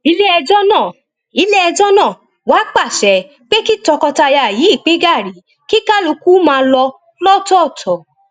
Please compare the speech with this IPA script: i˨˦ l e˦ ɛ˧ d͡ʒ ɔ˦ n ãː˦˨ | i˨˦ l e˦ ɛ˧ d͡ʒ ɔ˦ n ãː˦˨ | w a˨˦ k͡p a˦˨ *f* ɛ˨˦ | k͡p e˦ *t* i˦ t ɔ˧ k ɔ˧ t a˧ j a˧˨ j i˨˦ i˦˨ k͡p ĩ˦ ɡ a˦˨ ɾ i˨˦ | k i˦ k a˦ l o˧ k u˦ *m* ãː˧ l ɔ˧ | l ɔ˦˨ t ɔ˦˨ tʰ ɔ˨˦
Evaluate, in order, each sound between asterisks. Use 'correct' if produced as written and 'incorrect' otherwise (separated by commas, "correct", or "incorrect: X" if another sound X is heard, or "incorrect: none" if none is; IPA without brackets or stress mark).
incorrect: ʃ, incorrect: k, correct